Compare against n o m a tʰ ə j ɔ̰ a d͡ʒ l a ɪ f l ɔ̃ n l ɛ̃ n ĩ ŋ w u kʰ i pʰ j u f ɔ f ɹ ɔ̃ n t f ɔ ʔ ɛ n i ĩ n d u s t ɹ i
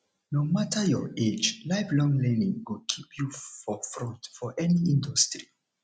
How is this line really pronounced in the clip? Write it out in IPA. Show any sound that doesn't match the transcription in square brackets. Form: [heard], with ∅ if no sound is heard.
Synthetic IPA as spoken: n o m a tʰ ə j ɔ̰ [e] d͡ʒ l a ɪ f l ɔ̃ [ŋ] l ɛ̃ n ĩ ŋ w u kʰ i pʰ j u f ɔ f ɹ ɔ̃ n t f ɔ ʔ ɛ n i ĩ n d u s t ɹ i